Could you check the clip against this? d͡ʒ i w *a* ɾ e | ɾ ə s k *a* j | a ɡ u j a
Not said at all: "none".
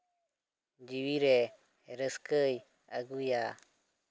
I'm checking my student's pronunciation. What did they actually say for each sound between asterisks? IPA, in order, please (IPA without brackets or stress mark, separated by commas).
i, ə